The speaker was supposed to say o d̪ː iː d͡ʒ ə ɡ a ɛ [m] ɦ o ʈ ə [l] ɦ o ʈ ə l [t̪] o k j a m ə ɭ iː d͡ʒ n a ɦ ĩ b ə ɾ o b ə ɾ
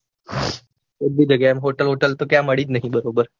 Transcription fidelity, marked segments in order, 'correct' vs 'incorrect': correct, correct, correct

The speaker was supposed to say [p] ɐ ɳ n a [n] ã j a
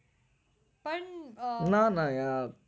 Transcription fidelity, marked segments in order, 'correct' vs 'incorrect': correct, correct

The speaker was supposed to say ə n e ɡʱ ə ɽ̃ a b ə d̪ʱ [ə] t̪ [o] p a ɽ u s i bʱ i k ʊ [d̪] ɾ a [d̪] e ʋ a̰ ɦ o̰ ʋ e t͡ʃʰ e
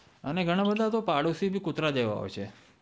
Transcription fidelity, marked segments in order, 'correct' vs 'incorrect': incorrect, correct, incorrect, correct

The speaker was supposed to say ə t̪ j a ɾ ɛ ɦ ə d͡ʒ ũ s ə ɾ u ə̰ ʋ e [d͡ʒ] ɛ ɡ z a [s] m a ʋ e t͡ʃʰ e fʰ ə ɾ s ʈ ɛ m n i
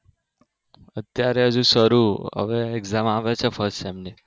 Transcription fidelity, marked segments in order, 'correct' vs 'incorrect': incorrect, incorrect

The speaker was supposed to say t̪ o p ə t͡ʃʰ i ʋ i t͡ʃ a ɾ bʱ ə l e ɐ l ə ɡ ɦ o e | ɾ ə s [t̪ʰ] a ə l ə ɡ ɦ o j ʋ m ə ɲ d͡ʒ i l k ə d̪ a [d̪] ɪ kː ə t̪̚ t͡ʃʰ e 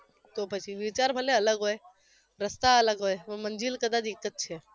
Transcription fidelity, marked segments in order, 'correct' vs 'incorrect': incorrect, correct

